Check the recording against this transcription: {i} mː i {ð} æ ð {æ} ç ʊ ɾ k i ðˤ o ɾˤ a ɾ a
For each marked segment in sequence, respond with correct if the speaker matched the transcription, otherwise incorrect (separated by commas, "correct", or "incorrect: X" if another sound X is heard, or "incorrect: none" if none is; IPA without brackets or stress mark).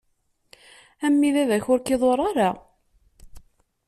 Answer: incorrect: æ, correct, correct